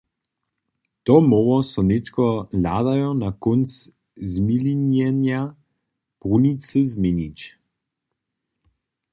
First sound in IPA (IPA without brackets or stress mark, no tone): t̪